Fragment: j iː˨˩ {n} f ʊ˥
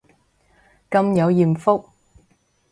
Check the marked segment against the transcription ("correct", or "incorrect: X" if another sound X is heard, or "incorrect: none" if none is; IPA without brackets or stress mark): incorrect: m